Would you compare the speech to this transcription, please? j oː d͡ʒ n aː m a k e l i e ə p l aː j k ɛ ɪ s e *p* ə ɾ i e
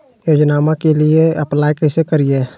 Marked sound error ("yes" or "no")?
yes